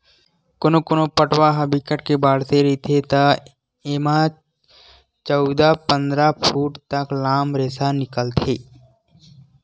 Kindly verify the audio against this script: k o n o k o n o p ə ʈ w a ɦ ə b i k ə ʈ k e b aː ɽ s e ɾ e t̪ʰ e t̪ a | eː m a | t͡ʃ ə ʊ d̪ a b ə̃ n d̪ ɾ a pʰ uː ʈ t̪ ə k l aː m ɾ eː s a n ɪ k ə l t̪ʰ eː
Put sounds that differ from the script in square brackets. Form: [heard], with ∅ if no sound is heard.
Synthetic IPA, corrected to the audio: k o n o k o n o p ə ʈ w a ɦ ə b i k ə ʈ k e b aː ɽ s e ɾ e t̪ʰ e t̪ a | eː m a | t͡ʃ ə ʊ d̪ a [p] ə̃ n d̪ ɾ a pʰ uː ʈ t̪ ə k l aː m ɾ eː s a n ɪ k ə l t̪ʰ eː